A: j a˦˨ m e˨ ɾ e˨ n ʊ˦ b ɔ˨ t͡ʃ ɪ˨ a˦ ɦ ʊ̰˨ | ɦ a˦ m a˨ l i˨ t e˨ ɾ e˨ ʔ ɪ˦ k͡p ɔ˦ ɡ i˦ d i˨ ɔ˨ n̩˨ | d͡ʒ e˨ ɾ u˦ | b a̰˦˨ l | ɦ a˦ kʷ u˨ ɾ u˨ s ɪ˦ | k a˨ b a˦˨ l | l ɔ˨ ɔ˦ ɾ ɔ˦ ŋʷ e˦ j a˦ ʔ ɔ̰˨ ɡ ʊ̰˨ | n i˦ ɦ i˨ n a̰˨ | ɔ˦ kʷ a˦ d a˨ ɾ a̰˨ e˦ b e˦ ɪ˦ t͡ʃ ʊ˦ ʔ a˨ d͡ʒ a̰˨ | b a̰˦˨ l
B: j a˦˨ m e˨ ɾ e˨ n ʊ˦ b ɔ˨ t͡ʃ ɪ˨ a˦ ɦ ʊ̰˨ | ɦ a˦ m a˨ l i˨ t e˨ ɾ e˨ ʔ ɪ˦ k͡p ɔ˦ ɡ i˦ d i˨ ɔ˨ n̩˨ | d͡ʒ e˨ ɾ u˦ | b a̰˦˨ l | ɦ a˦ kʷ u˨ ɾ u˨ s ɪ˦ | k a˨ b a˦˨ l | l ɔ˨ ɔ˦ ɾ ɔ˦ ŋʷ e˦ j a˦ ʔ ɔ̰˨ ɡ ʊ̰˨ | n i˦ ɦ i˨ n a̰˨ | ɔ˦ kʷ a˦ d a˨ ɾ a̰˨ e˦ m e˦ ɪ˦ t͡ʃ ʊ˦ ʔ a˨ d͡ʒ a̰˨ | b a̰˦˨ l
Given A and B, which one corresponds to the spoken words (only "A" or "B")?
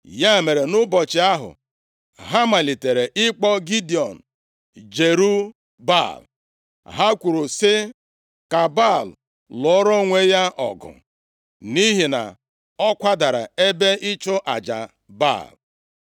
A